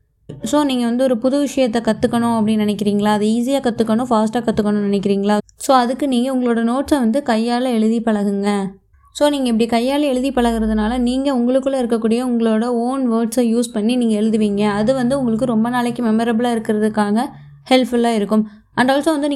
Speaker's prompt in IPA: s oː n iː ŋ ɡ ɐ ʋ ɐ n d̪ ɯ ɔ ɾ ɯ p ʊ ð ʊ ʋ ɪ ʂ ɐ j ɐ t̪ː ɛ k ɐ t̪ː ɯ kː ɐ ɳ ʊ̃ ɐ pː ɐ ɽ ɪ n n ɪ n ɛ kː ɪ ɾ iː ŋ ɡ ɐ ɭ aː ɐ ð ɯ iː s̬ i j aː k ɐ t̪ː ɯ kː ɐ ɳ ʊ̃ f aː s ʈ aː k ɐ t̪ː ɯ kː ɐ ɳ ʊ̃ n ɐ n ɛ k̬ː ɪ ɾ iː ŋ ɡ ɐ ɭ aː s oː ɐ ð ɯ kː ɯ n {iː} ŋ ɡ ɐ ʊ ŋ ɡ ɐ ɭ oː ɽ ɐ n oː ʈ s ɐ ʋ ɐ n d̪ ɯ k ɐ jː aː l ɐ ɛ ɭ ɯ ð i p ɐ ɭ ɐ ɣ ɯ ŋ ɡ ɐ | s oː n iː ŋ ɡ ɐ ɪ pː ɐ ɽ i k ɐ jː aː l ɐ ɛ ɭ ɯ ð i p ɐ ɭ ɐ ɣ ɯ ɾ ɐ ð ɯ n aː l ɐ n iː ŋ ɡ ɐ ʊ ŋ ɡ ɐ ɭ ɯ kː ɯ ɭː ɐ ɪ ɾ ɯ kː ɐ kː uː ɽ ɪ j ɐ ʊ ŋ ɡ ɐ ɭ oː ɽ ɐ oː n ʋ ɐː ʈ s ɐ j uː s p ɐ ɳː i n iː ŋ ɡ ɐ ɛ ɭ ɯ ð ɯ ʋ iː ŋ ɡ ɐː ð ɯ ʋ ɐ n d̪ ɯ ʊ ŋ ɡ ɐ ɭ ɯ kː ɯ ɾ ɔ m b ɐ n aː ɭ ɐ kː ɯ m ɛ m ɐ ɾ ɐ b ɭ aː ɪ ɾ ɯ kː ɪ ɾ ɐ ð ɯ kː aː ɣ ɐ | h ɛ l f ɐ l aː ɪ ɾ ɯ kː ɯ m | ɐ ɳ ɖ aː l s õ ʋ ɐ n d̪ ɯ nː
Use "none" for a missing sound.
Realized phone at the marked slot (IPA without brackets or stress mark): iː